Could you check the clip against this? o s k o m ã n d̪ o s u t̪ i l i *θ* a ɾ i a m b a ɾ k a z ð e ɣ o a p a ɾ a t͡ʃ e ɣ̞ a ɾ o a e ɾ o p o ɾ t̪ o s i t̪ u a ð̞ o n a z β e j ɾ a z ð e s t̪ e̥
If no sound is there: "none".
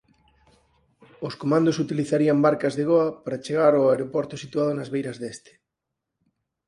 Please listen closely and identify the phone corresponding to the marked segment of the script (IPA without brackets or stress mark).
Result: θ